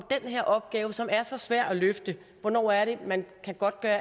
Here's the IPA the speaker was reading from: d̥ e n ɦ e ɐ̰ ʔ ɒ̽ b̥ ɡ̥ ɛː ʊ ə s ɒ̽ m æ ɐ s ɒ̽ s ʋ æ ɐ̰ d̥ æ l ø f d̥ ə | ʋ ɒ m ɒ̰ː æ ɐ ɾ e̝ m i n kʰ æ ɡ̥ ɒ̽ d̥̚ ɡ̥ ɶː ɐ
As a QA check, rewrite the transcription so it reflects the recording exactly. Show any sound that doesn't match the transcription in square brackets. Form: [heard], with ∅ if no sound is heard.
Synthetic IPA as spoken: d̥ e n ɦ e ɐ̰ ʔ ɒ̽ b̥ ɡ̥ ɛː ʊ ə s ɒ̽ m æ ɐ s ɒ̽ s ʋ æ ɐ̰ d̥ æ l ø f d̥ ə | ʋ ɒ [n] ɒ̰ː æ ɐ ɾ e̝ m [æ] n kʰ æ ɡ̥ ɒ̽ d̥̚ ɡ̥ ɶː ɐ